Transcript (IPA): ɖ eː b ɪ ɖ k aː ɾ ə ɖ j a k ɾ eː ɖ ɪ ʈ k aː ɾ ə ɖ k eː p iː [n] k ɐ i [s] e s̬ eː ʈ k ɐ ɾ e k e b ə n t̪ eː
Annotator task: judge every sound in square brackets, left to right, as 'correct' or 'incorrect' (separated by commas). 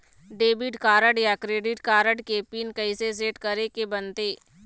correct, correct